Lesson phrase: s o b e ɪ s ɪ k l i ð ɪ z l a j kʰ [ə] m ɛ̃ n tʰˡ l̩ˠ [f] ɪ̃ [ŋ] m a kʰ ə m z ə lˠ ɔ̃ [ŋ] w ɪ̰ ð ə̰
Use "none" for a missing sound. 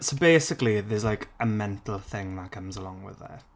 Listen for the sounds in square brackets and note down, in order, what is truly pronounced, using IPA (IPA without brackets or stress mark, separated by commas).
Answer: ə, θ, ŋ, ŋ